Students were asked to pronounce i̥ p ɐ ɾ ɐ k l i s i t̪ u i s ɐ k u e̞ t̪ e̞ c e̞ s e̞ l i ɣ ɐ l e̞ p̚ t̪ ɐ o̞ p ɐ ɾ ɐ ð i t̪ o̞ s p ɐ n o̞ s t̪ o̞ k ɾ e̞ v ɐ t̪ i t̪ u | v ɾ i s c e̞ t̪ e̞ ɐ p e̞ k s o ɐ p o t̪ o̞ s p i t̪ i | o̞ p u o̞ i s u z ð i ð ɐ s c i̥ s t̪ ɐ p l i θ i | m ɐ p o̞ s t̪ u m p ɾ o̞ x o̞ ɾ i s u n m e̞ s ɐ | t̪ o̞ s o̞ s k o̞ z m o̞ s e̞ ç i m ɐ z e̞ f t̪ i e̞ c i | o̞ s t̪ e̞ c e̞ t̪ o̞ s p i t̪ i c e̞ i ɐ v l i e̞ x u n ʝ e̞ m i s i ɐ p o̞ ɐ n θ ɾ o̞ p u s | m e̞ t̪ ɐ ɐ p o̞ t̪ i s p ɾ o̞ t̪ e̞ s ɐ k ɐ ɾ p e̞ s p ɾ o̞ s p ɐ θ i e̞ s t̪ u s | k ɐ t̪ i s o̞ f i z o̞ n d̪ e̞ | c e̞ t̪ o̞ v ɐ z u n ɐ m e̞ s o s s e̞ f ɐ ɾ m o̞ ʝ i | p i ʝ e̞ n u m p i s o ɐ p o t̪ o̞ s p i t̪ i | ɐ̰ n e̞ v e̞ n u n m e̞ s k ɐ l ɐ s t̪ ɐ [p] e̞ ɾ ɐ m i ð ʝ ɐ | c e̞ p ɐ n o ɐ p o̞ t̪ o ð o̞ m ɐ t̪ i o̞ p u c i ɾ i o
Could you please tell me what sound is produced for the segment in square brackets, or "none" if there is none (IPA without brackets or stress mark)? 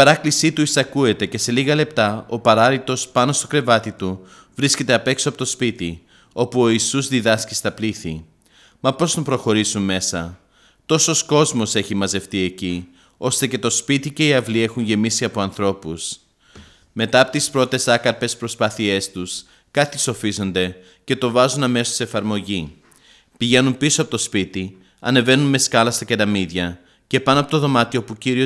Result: c